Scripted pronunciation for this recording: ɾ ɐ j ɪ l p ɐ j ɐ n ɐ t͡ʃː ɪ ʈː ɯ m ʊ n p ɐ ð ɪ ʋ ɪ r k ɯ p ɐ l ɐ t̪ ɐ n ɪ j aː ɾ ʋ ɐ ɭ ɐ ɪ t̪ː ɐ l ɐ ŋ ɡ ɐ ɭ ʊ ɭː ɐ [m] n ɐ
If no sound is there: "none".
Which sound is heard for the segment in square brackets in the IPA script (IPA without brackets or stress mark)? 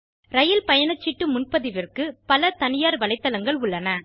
none